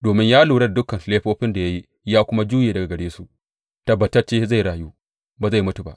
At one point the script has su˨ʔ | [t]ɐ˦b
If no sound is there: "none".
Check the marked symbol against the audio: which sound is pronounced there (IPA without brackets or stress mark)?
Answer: t